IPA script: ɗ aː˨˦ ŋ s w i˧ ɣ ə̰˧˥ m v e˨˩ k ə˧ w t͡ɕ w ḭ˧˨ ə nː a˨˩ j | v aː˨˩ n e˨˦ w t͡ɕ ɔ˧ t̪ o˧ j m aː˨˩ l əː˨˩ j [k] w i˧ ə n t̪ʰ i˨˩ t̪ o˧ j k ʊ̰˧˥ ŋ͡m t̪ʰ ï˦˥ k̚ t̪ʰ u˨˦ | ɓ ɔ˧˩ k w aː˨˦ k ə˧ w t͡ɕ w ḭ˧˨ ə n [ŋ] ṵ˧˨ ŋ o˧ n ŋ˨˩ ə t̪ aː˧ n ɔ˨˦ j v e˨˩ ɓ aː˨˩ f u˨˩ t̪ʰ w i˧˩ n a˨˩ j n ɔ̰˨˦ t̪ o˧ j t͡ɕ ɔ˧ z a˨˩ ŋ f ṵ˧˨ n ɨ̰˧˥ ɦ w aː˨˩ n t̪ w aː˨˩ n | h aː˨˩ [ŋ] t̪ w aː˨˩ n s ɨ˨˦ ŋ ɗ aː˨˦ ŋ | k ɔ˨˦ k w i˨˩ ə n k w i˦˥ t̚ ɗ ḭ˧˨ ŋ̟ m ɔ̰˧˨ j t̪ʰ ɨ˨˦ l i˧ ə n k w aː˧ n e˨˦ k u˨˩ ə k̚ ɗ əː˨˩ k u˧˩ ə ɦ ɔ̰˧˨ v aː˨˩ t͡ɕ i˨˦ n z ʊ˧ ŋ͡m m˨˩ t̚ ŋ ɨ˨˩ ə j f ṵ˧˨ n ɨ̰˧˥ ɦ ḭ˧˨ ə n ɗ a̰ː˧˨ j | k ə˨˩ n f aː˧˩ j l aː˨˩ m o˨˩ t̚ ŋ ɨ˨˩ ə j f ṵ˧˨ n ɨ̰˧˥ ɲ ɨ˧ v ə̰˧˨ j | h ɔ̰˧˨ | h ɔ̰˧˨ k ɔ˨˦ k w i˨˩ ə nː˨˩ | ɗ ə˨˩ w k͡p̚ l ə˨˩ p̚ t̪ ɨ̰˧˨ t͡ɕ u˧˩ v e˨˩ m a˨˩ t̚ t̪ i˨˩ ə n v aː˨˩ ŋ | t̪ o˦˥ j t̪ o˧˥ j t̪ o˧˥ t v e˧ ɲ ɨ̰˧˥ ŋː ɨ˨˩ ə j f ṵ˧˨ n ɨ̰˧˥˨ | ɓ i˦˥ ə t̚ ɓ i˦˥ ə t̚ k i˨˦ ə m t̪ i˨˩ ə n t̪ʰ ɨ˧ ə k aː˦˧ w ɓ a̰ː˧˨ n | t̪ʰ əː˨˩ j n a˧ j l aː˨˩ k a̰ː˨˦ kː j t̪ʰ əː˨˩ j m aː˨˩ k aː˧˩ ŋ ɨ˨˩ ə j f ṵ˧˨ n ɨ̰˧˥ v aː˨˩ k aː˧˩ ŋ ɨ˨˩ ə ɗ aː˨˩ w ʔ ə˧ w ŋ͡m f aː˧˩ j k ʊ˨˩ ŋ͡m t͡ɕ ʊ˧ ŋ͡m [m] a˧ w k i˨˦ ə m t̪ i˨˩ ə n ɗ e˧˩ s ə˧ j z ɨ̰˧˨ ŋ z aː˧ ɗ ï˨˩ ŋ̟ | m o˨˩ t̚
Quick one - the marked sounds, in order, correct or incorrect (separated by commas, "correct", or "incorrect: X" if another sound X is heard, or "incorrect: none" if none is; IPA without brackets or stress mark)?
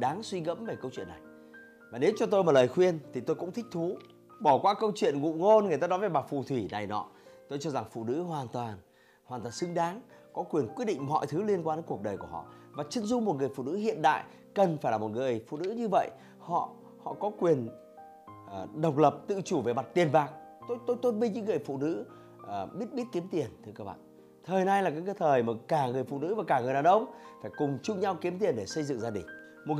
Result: incorrect: x, correct, incorrect: n, incorrect: ɲ